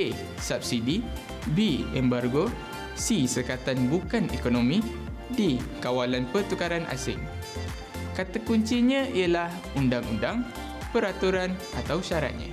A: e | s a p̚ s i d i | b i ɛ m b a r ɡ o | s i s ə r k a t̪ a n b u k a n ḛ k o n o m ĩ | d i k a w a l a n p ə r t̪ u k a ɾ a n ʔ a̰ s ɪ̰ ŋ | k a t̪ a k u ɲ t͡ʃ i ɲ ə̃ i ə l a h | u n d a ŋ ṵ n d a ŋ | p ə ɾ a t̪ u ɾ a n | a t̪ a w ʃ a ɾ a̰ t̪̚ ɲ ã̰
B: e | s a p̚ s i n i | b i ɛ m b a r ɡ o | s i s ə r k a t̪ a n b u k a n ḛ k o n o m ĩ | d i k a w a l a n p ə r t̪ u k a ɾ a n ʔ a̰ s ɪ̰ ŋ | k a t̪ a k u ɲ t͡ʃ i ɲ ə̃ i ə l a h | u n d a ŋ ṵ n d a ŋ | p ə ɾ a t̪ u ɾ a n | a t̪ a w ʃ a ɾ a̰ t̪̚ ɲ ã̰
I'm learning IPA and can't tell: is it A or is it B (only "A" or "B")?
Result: A